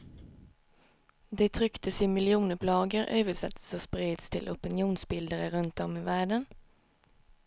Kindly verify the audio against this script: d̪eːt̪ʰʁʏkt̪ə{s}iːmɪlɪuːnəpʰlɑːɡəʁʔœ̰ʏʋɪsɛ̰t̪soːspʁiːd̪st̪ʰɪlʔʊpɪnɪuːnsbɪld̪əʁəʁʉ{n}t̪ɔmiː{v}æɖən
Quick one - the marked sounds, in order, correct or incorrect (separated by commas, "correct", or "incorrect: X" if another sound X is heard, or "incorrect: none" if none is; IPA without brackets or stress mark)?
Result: correct, correct, incorrect: ʋ